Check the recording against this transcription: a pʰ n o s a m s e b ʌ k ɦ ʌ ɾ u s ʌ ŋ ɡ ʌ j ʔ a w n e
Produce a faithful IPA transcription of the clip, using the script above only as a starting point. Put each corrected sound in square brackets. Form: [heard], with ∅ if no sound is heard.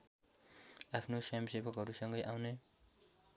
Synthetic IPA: a pʰ n o s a m s e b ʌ k ɦ ʌ ɾ u s ʌ ŋ ɡ ʌ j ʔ a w n e